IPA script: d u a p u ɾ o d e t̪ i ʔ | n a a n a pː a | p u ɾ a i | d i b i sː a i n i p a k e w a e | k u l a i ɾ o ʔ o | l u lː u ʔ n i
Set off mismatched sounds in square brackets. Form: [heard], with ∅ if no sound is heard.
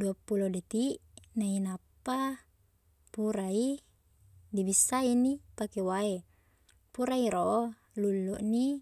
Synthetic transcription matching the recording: d u a p u [l] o d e t̪ i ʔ | n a [i] n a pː a | p u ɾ a i | d i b i sː a i n i p a k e w a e | [p] u [ɾ] a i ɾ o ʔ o | l u lː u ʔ n i